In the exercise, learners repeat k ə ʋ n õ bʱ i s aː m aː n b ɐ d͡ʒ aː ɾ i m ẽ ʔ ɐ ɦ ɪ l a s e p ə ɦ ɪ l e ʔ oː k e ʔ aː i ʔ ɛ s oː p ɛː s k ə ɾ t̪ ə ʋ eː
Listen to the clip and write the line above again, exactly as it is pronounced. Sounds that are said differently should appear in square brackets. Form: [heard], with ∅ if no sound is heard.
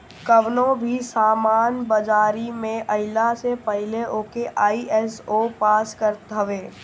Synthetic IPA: k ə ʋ n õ bʱ i s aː m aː n b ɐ d͡ʒ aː ɾ i m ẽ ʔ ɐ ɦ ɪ l a s e p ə ɦ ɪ l e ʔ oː k e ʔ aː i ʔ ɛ s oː p [aː] s k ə ɾ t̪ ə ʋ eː